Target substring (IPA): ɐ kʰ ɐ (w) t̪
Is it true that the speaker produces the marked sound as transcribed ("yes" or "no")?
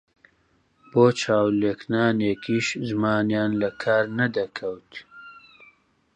yes